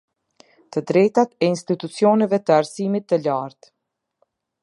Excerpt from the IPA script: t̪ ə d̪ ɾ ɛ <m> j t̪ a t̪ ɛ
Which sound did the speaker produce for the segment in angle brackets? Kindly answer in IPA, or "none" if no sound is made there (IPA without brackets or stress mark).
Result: none